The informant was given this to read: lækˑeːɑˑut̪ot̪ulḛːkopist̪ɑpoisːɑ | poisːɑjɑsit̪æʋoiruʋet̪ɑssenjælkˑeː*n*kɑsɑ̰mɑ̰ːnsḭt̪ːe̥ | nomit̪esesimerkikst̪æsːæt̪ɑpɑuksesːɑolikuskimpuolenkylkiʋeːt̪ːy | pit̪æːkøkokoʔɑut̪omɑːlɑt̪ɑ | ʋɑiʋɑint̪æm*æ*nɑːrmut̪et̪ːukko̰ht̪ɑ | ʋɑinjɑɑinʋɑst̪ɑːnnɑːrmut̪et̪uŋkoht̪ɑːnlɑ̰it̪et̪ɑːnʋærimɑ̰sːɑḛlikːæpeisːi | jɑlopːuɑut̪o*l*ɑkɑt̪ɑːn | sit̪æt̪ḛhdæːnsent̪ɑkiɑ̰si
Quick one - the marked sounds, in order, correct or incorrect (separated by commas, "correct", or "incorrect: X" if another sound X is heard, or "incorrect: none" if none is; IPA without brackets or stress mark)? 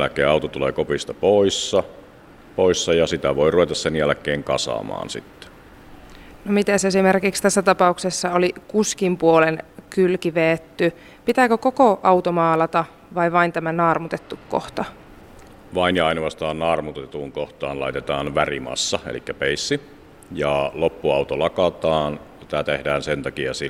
incorrect: ŋ, correct, correct